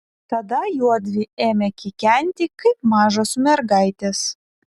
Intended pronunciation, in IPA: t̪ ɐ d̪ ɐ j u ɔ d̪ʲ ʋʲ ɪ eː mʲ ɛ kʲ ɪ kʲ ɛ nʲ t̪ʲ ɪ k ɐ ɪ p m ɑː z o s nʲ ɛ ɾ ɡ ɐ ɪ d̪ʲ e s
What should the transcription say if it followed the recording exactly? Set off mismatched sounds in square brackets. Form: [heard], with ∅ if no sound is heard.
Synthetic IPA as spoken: t̪ ɐ d̪ ɐ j u ɔ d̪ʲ ʋʲ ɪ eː mʲ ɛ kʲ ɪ kʲ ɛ nʲ t̪ʲ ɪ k ɐ ɪ p m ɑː [ʒ] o s [mʲ] ɛ ɾ ɡ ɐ ɪ [t̪ʲ] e s